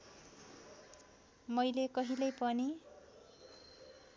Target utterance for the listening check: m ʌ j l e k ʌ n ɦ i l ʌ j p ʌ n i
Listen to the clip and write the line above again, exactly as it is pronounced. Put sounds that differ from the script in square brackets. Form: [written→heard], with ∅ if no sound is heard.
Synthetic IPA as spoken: m ʌ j l e k ʌ [n→∅] ɦ i l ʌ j p ʌ n i